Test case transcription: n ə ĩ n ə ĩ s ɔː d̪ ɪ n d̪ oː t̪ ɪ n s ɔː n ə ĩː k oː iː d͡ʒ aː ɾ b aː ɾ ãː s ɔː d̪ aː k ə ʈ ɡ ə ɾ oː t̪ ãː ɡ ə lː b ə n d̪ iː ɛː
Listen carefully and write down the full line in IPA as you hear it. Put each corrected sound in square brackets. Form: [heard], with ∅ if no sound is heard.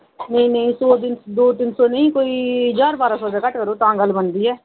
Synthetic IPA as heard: n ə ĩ n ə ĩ s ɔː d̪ ɪ n d̪ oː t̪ ɪ n s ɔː n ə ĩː k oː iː d͡ʒ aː ɾ b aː ɾ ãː s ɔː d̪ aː k ə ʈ [k] ə ɾ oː t̪ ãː ɡ ə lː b ə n d̪ iː ɛː